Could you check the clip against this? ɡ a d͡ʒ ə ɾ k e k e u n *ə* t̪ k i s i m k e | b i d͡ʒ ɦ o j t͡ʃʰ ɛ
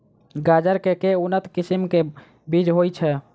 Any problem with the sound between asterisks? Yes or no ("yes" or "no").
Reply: no